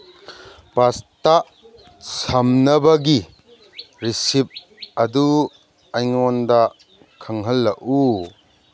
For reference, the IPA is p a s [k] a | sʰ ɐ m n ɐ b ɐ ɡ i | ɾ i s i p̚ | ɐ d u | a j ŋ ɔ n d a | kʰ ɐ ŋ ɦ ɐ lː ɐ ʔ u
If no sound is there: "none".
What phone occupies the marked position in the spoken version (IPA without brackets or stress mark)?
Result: t